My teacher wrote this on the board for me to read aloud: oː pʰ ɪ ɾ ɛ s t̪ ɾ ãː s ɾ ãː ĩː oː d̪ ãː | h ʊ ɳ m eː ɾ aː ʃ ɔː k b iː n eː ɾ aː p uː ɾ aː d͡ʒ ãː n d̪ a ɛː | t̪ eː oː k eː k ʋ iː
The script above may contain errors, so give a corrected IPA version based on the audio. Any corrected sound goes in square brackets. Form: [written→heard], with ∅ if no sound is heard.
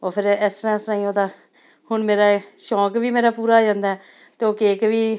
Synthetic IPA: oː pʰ ɪ ɾ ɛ s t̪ ɾ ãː s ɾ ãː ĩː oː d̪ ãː | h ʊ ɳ m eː ɾ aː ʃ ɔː k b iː [n→m] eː ɾ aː p uː ɾ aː d͡ʒ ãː n d̪ a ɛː | t̪ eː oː k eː k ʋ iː

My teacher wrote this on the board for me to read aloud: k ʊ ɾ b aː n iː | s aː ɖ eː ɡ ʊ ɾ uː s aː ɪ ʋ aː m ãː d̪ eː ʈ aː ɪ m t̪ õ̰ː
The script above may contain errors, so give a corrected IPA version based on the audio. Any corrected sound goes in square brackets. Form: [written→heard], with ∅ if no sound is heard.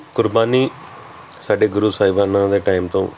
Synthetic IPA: k ʊ ɾ b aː n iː | s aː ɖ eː ɡ ʊ ɾ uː s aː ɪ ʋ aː [m→n] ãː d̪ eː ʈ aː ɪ m t̪ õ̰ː

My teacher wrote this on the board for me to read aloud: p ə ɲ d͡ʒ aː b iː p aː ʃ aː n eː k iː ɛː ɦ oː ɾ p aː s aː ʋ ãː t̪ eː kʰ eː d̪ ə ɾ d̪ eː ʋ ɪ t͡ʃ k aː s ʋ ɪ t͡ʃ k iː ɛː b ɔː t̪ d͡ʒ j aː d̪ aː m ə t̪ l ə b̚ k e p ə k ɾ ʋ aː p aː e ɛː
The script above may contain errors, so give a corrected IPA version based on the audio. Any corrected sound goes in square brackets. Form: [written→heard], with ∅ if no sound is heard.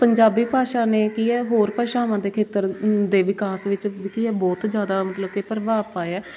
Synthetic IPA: p ə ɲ d͡ʒ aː b iː p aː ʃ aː n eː k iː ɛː ɦ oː ɾ p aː [s→ʃ] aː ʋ ãː [t̪→d̪] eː kʰ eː [d̪→t̪] ə ɾ d̪ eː ʋ ɪ [t͡ʃ→∅] k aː s ʋ ɪ t͡ʃ k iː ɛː b ɔː t̪ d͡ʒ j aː d̪ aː m ə t̪ l ə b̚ k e p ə [k→∅] ɾ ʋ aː p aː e ɛː

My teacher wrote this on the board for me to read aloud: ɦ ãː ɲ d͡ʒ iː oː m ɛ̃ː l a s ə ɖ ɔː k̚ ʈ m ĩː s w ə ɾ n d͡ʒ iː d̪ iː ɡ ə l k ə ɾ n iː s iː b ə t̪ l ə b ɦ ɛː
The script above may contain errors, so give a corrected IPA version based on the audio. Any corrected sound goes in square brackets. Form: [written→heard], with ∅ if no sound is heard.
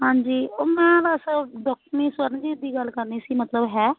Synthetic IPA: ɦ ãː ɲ d͡ʒ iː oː m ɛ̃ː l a s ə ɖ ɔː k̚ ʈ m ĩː s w ə ɾ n d͡ʒ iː d̪ iː ɡ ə l k ə ɾ n iː s iː [b→m] ə t̪ l ə b ɦ ɛː

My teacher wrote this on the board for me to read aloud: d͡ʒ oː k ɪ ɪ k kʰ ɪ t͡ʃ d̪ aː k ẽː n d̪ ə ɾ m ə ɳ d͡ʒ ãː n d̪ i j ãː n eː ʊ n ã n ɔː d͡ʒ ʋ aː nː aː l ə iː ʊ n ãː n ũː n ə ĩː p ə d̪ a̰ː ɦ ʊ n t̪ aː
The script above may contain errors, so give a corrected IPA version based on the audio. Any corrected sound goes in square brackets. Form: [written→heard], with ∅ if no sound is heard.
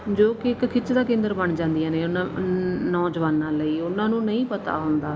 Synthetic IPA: d͡ʒ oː k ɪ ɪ k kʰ ɪ t͡ʃ d̪ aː k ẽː n d̪ ə ɾ [m→b] ə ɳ d͡ʒ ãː n d̪ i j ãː n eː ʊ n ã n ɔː d͡ʒ ʋ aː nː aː l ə iː ʊ n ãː n ũː n ə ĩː p ə [d̪→t̪] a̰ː ɦ ʊ n [t̪→d̪] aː

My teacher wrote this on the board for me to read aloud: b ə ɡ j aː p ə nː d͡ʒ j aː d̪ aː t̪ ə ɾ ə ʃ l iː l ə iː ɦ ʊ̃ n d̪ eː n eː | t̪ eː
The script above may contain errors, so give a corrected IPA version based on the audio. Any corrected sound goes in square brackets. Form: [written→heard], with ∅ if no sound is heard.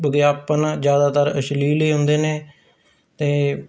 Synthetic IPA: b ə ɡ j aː p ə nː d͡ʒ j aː d̪ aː t̪ ə ɾ ə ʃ l iː l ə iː ɦ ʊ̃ n d̪ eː n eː | t̪ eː

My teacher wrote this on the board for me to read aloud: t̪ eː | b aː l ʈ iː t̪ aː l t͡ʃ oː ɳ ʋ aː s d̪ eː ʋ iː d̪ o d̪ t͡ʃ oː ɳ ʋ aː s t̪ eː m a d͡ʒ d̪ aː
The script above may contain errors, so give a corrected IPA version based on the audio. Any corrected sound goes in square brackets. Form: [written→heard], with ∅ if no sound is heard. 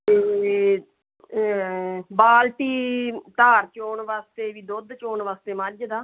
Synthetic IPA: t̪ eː | b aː l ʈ iː t̪ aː [l→ɾ] t͡ʃ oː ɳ ʋ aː s [d̪→t̪] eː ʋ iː d̪ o d̪ t͡ʃ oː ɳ ʋ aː s t̪ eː m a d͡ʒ d̪ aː

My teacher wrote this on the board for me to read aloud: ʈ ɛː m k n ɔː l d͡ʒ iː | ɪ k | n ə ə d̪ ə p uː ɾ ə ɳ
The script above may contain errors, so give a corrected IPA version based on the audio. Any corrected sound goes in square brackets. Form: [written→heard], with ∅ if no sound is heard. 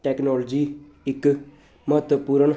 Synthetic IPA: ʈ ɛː [m→∅] k n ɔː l d͡ʒ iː | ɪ k | [n→m] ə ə [d̪→t̪] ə p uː ɾ ə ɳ

